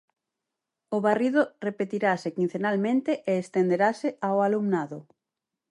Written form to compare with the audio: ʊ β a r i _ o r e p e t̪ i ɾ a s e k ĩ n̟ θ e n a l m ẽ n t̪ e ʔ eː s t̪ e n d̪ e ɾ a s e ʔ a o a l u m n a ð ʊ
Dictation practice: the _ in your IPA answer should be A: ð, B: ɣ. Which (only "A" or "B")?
A